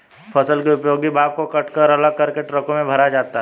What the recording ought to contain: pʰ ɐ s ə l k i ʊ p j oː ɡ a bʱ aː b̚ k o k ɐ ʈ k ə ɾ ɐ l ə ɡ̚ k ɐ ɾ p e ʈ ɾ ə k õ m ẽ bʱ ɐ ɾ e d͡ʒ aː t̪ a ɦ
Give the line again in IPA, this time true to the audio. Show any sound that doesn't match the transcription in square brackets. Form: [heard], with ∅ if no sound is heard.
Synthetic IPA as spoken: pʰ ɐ s ə l k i ʊ p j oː ɡ [i] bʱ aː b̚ k o k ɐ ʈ k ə ɾ ɐ l ə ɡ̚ k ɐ ɾ [k] e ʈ ɾ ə k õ m ẽ bʱ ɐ ɾ [a] d͡ʒ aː t̪ a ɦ

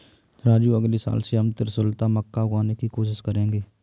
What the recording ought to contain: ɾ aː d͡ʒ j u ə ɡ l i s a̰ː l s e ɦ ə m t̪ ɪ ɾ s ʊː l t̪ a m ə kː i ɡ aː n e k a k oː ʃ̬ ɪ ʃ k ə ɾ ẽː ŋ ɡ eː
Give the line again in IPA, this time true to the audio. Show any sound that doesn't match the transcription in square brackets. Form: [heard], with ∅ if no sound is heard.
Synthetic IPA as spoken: ɾ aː d͡ʒ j u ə ɡ l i s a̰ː l s e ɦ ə m t̪ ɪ ɾ s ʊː l t̪ a m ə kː [a] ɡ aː n e k [i] k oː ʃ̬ ɪ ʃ k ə ɾ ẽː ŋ ɡ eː

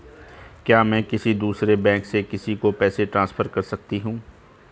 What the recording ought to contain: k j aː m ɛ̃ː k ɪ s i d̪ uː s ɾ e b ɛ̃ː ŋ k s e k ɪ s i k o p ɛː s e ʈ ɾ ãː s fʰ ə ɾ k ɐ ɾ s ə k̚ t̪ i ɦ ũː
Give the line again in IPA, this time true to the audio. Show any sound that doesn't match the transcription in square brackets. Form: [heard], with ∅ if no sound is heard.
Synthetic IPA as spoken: k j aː m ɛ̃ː k ɪ s i d̪ uː s ɾ e b ɛ̃ː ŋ k s e k ɪ s i k o p ɛː s e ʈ ɾ ãː s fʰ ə ɾ k ɐ ɾ s [ɐ] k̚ t̪ i ɦ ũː

